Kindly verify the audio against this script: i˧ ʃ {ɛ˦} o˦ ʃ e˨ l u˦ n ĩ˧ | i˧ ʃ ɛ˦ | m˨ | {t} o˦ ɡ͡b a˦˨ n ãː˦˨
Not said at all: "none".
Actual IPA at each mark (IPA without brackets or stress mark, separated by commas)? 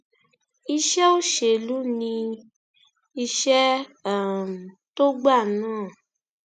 ɛ˦, t